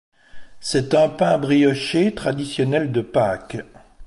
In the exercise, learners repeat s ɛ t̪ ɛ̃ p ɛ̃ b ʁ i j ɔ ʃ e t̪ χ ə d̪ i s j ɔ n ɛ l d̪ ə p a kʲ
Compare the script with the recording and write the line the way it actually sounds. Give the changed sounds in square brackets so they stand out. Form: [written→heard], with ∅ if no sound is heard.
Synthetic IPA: s ɛ t̪ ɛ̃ p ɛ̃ b ʁ i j ɔ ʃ e t̪ χ [ə→a] d̪ i s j ɔ n ɛ l d̪ ə p a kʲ